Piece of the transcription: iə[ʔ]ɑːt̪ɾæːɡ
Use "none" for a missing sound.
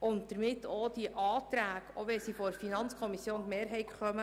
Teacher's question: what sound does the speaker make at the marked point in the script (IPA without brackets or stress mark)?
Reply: ʔ